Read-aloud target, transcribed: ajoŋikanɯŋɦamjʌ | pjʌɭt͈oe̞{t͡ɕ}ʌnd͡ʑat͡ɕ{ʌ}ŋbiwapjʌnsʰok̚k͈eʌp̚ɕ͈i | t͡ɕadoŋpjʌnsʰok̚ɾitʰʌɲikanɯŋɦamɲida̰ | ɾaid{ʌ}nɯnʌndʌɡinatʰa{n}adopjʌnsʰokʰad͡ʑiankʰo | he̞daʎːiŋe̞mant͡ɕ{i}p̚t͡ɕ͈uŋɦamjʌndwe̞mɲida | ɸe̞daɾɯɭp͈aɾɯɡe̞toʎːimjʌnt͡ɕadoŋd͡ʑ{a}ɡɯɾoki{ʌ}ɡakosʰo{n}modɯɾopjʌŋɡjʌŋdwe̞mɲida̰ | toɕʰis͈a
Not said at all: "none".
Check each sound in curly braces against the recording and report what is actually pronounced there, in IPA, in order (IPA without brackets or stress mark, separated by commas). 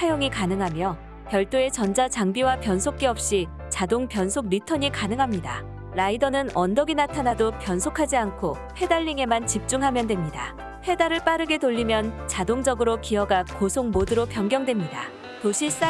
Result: t͡ɕ, a, ʌ, n, i, ʌ, ʌ, ŋ